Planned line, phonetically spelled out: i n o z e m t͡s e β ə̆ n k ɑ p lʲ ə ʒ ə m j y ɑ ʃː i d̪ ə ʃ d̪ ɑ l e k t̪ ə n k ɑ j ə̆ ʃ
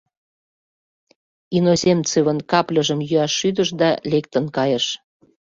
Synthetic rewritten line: i n o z e m t͡s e β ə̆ n k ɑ p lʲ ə ʒ ə m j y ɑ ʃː y d̪ ə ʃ d̪ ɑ l e k t̪ ə n k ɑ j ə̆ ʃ